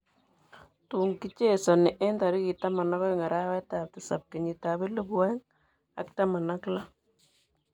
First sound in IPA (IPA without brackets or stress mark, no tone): t